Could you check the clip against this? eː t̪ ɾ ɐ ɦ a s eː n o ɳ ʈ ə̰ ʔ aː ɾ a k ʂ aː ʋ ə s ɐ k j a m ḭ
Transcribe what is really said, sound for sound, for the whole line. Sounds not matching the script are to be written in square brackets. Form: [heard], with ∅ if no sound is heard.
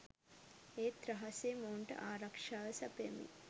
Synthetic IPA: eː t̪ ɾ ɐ ɦ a s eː [m] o ɳ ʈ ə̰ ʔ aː ɾ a k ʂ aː ʋ ə s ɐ [p] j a m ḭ